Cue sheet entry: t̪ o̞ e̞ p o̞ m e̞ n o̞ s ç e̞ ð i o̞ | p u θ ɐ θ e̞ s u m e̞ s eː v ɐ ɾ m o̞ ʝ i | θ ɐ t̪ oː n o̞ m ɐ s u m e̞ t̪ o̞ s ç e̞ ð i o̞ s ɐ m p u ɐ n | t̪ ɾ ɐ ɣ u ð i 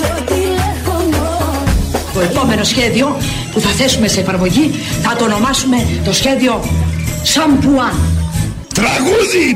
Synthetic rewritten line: t̪ o̞ e̞ p o̞ m e̞ n o̞ s ç e̞ ð i o̞ | p u θ ɐ θ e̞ s u m e̞ s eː f ɐ ɾ m o̞ ʝ i | θ ɐ t̪ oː n o̞ m ɐ s u m e̞ t̪ o̞ s ç e̞ ð i o̞ s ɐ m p u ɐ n | t̪ ɾ ɐ ɣ u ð i